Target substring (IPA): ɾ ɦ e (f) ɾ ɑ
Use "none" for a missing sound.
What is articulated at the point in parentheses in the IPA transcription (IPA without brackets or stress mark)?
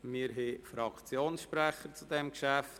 f